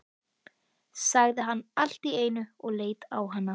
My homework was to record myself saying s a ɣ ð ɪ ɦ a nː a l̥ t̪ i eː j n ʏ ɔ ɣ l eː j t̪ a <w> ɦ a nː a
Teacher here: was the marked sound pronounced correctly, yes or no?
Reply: yes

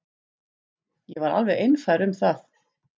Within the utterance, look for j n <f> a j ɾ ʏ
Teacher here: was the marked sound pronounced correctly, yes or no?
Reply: yes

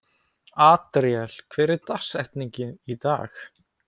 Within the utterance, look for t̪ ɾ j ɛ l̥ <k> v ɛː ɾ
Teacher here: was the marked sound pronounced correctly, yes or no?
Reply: no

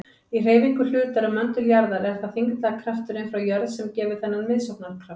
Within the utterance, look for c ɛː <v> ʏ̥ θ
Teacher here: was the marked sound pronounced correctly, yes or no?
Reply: yes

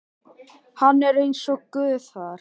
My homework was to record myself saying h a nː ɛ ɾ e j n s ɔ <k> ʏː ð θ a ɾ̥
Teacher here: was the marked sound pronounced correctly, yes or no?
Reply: yes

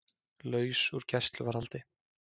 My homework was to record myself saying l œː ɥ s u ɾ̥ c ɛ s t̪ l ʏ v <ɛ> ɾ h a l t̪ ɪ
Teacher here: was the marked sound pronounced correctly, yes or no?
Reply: no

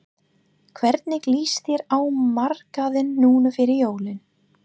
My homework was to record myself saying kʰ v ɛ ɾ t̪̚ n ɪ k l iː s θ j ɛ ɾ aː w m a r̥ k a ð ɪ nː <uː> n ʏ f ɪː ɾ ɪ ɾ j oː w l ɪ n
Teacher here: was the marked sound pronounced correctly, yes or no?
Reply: yes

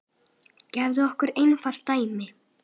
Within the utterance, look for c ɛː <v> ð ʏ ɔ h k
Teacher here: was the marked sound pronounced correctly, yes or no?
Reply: yes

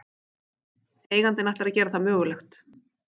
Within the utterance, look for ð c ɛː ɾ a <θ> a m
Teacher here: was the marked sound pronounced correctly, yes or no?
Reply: yes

